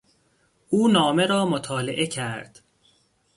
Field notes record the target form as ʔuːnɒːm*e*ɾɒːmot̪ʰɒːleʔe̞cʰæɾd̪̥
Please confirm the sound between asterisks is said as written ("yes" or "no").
yes